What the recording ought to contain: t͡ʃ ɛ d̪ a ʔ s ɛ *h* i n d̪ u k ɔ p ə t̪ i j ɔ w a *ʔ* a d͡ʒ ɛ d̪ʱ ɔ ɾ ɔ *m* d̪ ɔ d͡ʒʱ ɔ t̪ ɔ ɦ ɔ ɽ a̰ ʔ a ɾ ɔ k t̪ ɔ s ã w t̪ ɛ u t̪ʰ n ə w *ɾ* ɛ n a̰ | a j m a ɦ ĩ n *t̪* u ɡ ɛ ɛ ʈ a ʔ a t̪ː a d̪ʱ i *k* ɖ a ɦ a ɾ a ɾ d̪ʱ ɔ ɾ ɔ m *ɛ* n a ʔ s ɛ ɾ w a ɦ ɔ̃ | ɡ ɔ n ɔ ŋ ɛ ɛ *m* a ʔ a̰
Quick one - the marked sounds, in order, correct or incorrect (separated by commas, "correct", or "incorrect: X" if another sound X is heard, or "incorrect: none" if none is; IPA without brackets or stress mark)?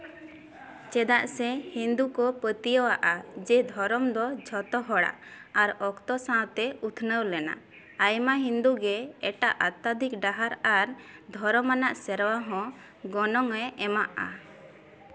correct, correct, correct, incorrect: l, incorrect: d̪, correct, incorrect: a, correct